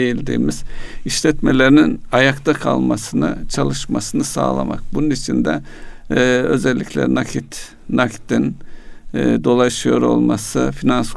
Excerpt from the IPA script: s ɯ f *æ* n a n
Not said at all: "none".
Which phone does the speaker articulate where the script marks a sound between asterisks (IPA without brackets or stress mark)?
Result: i